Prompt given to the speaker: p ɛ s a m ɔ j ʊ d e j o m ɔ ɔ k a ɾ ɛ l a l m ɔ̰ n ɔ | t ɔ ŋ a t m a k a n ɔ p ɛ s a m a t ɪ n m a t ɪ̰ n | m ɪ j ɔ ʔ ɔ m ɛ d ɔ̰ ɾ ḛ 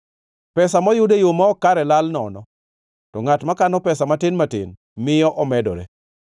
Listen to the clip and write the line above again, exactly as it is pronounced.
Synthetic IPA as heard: p ɛ s a m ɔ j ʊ d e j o m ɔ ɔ k a ɾ ɛ l a l n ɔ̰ n ɔ | t ɔ ŋ a t m a k a n ɔ p ɛ s a m a t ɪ n m a t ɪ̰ n | m ɪ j ɔ ʔ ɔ m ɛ d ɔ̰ ɾ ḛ